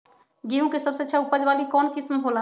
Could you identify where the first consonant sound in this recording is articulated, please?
velar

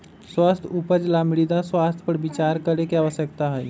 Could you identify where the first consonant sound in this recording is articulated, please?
alveolar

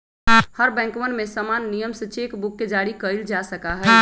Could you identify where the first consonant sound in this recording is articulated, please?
glottal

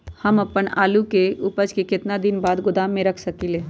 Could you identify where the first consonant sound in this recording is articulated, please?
glottal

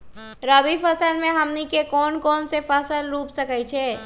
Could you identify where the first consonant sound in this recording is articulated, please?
alveolar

